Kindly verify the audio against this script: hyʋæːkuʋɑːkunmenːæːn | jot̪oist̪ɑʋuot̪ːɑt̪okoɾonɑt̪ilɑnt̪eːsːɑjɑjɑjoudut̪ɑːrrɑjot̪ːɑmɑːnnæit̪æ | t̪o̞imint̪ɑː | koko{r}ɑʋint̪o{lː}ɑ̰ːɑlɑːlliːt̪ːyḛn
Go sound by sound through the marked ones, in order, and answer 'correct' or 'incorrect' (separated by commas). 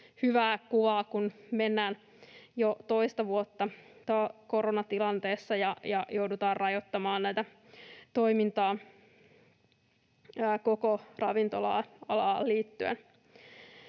correct, incorrect